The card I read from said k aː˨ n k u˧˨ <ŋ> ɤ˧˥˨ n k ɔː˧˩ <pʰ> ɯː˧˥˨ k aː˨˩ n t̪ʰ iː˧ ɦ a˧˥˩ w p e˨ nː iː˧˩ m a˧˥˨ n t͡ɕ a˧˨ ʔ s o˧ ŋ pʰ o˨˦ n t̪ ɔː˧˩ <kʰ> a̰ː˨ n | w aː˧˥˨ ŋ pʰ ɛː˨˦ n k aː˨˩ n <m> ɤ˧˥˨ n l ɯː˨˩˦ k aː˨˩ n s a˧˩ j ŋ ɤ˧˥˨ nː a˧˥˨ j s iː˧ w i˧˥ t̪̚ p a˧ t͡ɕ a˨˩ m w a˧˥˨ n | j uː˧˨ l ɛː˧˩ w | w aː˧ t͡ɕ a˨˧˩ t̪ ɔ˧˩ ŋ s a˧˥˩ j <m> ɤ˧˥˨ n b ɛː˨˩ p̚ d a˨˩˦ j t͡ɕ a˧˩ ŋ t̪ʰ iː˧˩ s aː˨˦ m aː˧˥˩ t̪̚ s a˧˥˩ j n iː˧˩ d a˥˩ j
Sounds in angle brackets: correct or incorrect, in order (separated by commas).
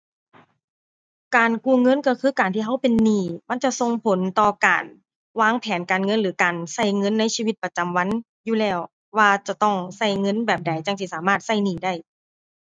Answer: correct, incorrect, incorrect, incorrect, incorrect